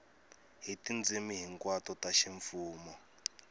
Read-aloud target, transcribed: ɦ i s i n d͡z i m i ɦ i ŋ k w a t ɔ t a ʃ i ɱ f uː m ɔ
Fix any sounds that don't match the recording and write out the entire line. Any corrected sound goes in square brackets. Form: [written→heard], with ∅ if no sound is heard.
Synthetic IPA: ɦ i [s→t] i n d͡z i m i ɦ i ŋ k w a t ɔ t a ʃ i ɱ f uː m ɔ